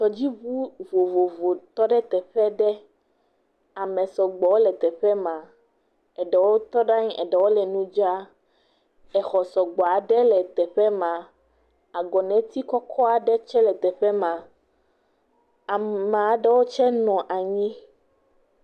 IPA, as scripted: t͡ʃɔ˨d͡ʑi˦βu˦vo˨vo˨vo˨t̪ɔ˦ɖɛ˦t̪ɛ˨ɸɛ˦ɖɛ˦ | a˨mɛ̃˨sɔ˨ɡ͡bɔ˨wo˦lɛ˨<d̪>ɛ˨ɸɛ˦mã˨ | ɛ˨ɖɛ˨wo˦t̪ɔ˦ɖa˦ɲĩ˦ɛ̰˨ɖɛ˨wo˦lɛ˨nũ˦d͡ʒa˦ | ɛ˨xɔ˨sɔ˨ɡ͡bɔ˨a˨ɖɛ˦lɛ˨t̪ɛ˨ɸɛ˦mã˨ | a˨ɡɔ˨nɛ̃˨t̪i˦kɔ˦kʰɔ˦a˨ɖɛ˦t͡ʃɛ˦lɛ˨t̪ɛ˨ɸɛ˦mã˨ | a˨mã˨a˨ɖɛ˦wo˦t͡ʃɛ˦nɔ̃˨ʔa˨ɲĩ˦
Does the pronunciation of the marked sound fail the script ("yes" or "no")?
yes